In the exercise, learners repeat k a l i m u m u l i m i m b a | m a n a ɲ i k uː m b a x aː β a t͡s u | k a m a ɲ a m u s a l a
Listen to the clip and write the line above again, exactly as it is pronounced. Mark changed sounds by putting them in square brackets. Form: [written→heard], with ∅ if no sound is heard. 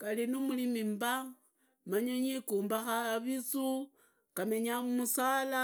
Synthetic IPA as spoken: k a l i [m→n] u m u l i m i m b a | m a [n→ɲ] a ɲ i k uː m b a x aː β [a→i] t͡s u | k a m [a→e] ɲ a m u s a l a